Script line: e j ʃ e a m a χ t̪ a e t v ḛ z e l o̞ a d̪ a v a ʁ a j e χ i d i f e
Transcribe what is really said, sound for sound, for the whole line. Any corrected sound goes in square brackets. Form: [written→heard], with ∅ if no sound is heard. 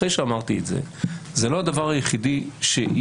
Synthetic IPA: e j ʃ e a m a [χ→ʁ] t̪ [a→i] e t [v→z] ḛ z e l o̞ a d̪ a v a ʁ a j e χ i d i [f→ʃ] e

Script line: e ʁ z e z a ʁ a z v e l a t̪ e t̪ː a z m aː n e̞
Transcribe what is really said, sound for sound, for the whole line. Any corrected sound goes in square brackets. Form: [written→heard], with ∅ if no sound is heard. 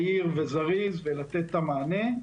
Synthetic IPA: [e→i] ʁ [z→v] e z a ʁ [a→i] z v e l a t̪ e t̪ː a [z→∅] m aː n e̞

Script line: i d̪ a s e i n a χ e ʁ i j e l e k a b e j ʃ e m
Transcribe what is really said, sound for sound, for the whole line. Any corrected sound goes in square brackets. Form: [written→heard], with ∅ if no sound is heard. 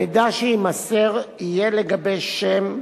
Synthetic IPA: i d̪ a [s→ʃ] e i [n→m] a [χ→s] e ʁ i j e l e [k→ɡ] a b e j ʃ e m

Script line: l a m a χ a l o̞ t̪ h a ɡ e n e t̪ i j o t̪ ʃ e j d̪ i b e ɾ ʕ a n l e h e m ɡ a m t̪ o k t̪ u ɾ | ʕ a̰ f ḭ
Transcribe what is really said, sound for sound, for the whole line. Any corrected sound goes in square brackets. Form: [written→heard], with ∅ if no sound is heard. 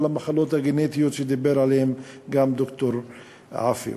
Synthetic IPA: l a m a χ a l o̞ t̪ h a ɡ e n e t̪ i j o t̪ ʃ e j d̪ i b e ɾ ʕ a [n→∅] l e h e m ɡ a m [t̪→d̪] o k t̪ [u→o] ɾ | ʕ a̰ f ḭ

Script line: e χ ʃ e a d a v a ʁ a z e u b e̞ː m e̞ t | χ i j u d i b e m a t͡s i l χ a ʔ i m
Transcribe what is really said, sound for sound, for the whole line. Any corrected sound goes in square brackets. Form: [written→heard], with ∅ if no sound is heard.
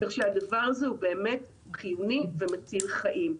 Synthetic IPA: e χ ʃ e a d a v a ʁ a z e u b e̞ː m e̞ t | χ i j u [d→n] i [b→v] e m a t͡s i l χ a ʔ i m

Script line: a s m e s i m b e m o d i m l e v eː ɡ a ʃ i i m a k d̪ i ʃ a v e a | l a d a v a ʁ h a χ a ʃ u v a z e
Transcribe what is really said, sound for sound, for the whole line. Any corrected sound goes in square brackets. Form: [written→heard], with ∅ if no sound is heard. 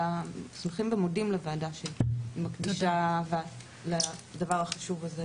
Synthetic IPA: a s m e [s→χ] i m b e m o d i m l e v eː [ɡ→d] a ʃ [i→e] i m a k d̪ i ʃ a v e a | l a d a v a ʁ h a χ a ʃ u v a z e

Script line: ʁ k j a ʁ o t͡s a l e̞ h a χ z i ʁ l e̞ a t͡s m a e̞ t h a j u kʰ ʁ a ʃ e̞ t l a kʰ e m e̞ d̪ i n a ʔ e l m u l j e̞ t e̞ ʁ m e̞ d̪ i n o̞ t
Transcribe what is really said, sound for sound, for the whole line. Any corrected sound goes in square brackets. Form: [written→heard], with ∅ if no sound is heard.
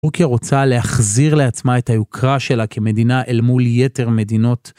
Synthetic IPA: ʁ k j a ʁ o t͡s a l e̞ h a χ z i ʁ l e̞ a t͡s m a e̞ t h a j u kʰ ʁ a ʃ e̞ [t→∅] l a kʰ e m e̞ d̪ i n a ʔ e l m u l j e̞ t e̞ ʁ m e̞ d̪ i n o̞ t

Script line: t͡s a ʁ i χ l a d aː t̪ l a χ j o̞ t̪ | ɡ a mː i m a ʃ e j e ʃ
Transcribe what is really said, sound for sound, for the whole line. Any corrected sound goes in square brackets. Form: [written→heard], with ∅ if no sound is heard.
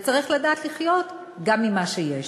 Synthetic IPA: t͡s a ʁ i χ l a d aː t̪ l [a→i] χ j o̞ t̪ | ɡ a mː i m a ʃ e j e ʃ

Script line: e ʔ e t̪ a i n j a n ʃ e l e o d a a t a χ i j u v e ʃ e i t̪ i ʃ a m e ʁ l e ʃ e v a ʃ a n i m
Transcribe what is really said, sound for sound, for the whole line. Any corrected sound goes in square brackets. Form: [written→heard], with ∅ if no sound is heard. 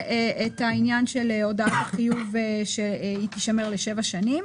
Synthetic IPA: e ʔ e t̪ a i n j a n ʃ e l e o d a a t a χ i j u v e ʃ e i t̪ i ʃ a m e ʁ l e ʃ e v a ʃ a n i m

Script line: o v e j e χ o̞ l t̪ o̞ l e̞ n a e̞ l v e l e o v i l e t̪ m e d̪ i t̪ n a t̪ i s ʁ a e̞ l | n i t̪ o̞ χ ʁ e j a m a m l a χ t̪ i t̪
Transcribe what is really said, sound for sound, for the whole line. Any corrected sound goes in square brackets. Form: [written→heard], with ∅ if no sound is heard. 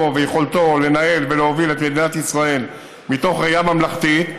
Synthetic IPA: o v e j e χ o̞ l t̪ o̞ l e̞ n a e̞ l v e l e o v i l e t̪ m e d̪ i [t̪→∅] n a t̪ i s ʁ a e̞ l | [n→m] i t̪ o̞ χ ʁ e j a m a m l a χ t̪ i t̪

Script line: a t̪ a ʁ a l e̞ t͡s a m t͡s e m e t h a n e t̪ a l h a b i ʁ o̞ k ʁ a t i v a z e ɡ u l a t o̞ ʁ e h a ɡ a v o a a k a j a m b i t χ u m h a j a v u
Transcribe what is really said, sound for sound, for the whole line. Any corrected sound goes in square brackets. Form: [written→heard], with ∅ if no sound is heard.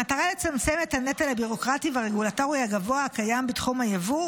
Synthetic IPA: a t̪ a ʁ a l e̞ t͡s a m t͡s e m e t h a n e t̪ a l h a b i ʁ o̞ k ʁ a t i v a [z→ʁ] e ɡ u l a t o̞ ʁ [e→i] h a ɡ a v o a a k a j a m b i t χ u m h a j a v u

